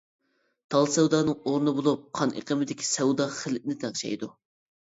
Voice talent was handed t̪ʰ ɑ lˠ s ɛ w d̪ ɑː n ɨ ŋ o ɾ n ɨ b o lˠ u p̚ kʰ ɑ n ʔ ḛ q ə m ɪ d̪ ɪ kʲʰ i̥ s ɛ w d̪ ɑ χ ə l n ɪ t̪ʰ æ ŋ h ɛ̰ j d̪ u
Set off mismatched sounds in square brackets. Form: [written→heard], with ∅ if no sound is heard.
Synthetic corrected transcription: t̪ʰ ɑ lˠ s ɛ w d̪ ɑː n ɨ ŋ o ɾ n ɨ b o lˠ u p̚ [kʰ→qʰ] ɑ n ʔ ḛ q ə m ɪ d̪ ɪ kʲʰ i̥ s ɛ w d̪ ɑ χ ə l n ɪ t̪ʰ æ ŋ [h→ʃ] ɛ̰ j d̪ u